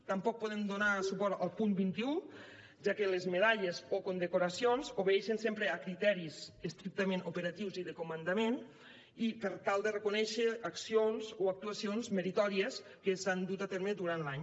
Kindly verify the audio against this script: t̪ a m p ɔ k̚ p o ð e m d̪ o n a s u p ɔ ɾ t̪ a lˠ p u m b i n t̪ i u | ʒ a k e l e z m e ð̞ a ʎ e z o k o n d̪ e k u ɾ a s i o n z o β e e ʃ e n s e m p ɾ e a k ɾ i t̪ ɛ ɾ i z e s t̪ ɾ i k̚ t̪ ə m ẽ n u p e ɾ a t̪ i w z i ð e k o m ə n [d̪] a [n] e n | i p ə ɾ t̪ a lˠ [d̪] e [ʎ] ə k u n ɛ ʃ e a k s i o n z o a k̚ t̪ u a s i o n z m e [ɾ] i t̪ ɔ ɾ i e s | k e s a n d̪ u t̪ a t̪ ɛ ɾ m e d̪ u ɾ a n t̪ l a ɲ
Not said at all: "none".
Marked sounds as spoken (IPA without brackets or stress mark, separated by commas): d̪, m, d̪, r, ɾ